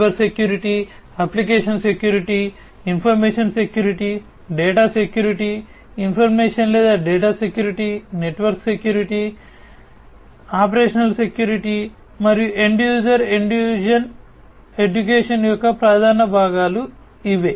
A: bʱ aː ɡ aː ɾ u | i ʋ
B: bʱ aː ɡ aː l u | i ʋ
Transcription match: B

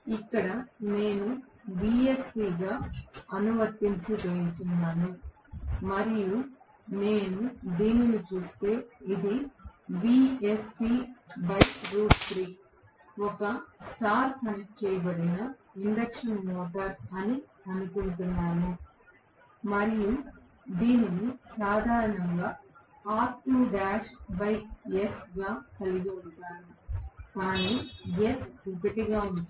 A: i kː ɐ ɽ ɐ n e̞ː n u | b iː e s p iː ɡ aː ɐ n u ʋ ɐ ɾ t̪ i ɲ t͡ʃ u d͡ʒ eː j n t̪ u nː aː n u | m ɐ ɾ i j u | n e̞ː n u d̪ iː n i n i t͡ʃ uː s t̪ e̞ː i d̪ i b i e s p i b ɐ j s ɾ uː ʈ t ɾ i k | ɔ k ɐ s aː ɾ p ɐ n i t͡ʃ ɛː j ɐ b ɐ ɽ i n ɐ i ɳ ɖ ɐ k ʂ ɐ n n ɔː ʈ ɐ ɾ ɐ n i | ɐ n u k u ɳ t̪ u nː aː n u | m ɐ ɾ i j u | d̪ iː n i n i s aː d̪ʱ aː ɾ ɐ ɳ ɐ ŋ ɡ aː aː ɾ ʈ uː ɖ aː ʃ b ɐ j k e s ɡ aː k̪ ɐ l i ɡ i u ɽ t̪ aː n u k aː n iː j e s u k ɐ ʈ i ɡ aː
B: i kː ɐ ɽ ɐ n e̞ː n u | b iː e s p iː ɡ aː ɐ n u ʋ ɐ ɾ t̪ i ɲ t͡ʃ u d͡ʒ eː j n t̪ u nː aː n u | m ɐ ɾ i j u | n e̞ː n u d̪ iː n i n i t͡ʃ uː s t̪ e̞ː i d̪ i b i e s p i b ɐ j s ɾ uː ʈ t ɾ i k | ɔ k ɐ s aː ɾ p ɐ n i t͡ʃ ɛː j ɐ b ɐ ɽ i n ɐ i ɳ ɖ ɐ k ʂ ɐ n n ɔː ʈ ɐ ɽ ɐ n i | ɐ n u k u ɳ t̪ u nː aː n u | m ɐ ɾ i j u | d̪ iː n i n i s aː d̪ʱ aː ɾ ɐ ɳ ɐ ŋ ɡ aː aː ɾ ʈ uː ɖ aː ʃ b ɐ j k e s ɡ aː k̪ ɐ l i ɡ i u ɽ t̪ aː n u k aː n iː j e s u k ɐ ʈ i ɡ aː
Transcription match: A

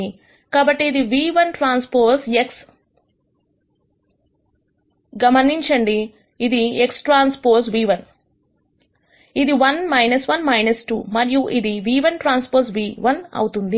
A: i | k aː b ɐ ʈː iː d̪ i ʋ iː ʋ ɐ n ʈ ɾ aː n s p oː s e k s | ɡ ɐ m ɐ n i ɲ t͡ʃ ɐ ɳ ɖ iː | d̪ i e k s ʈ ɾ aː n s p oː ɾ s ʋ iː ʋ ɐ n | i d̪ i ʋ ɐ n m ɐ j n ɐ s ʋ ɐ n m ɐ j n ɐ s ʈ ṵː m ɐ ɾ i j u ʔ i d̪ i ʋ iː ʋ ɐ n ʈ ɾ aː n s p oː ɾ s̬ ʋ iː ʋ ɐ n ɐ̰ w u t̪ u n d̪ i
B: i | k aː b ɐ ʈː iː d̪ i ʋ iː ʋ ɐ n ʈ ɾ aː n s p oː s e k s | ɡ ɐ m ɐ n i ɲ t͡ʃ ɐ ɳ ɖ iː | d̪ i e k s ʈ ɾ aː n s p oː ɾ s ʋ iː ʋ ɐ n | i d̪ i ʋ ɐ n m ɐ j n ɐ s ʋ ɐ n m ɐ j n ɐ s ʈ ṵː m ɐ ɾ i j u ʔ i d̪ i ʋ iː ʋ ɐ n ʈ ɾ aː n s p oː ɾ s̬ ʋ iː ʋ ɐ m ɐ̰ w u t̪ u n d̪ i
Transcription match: A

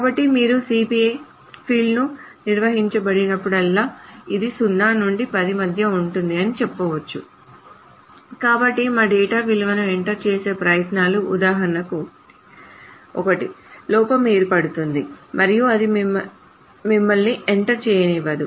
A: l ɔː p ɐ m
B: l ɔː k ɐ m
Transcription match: A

